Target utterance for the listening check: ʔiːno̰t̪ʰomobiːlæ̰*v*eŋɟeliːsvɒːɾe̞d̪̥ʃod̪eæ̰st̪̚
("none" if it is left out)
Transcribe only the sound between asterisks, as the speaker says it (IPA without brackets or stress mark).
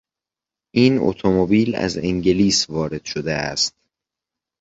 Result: z